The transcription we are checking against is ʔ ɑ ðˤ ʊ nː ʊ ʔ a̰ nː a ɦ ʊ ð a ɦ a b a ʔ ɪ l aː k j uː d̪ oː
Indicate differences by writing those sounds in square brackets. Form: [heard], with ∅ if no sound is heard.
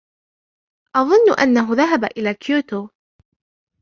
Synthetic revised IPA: ʔ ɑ ðˤ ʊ nː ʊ ʔ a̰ nː a ɦ ʊ ð a ɦ a b a ʔ ɪ l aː k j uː [t̪] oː